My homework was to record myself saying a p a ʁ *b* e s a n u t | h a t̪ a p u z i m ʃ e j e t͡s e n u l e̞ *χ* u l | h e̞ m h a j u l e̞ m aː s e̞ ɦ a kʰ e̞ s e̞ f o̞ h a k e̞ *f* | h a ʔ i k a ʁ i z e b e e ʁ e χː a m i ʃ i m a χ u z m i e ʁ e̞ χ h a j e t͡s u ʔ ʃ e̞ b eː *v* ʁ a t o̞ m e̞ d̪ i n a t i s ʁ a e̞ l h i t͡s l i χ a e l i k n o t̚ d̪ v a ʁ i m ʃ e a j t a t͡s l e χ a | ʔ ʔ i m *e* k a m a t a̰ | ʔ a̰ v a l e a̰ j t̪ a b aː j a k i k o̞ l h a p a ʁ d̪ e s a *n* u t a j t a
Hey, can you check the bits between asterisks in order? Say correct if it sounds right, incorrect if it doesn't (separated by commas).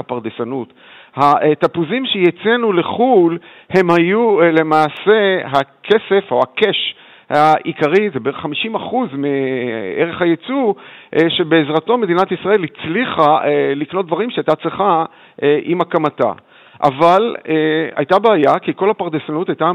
incorrect, correct, incorrect, incorrect, incorrect, correct